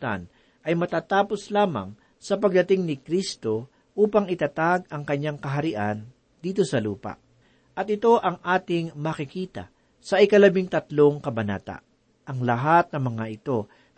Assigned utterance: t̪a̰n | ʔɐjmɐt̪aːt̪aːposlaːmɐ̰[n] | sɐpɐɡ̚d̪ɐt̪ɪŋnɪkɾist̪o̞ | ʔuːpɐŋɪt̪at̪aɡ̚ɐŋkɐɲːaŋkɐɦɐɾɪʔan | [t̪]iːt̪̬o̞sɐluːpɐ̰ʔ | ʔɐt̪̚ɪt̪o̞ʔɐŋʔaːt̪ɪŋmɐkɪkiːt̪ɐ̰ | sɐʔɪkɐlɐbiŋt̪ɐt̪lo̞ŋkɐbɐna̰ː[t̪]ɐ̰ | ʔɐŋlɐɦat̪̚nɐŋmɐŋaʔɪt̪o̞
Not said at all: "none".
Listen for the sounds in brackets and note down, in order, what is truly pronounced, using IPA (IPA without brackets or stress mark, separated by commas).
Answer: ŋ, d̪, t̪